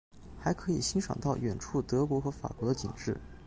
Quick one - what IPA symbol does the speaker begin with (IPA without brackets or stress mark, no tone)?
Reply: x